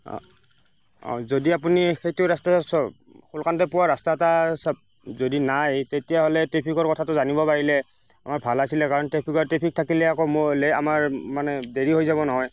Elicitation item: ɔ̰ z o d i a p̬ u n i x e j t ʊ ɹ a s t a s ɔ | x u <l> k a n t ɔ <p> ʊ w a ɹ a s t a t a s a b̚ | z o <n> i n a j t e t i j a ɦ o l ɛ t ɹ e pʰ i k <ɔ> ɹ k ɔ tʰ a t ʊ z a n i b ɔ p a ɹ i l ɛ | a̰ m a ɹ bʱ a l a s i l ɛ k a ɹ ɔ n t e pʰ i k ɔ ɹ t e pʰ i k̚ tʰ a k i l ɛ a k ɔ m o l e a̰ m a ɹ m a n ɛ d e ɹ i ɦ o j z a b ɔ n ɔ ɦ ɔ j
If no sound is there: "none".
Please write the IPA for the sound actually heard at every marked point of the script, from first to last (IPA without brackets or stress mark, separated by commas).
l, p, d, ɔ